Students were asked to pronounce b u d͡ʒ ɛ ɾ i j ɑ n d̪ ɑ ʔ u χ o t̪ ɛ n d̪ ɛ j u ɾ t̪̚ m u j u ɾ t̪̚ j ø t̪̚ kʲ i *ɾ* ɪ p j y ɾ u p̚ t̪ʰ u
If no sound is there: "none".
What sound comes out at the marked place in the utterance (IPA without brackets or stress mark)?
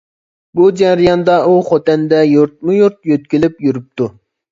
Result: l